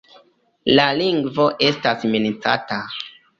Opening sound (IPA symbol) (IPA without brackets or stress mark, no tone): l